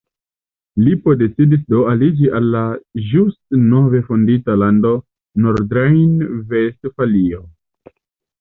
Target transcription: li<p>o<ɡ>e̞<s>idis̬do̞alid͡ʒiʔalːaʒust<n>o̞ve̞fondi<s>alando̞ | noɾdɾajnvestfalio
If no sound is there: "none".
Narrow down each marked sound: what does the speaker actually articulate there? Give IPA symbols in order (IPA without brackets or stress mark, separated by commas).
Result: p, d, t͡s, n, t